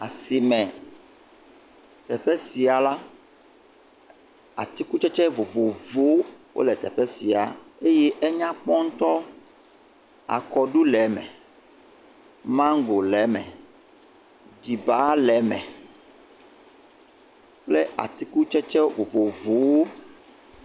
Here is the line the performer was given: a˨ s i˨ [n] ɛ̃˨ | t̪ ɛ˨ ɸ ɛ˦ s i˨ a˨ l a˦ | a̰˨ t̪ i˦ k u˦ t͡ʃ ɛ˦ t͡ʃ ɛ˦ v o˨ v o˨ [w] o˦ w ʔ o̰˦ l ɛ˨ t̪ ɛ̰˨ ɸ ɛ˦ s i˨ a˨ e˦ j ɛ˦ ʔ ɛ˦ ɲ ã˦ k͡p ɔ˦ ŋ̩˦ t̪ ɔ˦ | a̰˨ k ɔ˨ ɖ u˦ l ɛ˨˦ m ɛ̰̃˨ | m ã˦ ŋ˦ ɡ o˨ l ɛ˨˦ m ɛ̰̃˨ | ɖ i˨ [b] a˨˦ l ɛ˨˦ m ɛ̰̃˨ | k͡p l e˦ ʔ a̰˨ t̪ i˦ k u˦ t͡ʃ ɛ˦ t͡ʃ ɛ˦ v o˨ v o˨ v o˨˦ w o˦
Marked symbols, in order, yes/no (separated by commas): no, no, yes